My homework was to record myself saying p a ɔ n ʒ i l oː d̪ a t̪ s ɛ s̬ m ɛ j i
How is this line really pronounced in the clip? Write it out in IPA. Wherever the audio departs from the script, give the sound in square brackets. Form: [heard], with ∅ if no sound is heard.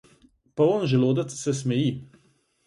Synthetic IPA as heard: p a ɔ n ʒ [ɛ] l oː d̪ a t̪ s ɛ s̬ m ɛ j i